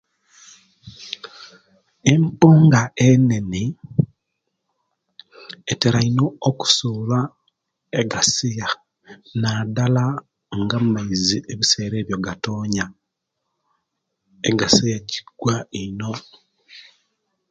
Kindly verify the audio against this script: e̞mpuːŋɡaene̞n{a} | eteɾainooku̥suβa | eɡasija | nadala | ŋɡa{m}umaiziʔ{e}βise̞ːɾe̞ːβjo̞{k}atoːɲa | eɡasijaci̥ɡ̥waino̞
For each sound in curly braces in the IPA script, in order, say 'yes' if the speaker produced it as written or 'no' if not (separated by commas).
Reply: no, yes, yes, no